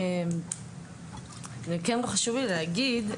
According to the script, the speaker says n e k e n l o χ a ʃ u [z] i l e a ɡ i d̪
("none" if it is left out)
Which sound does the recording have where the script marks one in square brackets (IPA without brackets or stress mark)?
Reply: v